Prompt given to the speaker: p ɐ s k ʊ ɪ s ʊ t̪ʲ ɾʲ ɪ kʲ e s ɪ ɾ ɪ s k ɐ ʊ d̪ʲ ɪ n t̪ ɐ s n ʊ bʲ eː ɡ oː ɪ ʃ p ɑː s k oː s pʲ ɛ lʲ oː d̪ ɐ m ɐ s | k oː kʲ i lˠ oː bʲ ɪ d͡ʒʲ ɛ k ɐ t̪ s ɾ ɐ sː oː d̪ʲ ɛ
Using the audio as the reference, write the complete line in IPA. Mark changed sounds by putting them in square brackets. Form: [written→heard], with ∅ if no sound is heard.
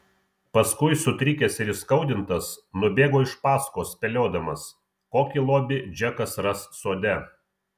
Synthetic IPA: p ɐ s k ʊ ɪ s ʊ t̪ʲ ɾʲ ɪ kʲ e s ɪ ɾ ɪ s k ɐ ʊ d̪ʲ ɪ n t̪ ɐ s n ʊ bʲ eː ɡ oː ɪ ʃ p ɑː s k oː s pʲ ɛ lʲ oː d̪ ɐ m ɐ s | k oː kʲ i lˠ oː bʲ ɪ d͡ʒʲ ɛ k ɐ [t̪→∅] s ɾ ɐ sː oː d̪ʲ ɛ